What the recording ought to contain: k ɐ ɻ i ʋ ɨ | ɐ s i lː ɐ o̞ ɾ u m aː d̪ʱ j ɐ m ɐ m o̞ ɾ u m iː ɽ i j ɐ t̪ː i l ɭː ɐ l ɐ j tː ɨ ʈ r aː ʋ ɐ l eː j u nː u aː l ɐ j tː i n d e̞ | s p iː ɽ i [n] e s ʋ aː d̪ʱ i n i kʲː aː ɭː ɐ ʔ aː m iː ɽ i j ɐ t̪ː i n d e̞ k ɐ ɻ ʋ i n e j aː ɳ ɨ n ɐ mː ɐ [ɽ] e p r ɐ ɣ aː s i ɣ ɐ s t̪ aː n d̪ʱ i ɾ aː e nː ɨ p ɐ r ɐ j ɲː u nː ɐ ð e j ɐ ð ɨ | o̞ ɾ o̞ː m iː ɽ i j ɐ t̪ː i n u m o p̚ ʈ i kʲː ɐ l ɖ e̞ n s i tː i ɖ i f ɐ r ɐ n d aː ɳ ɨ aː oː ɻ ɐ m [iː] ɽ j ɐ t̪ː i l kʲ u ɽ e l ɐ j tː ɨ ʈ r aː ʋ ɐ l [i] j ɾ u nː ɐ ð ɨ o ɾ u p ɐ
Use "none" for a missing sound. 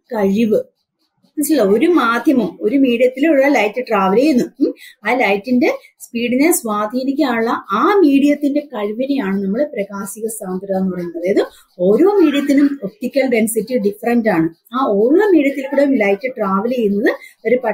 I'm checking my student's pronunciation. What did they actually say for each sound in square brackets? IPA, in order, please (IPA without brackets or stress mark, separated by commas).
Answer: n, ɭ, iː, e